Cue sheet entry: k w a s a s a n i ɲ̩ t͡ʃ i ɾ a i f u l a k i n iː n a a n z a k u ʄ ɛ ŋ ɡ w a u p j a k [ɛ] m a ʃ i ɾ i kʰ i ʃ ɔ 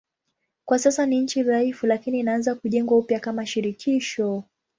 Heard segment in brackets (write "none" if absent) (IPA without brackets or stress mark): a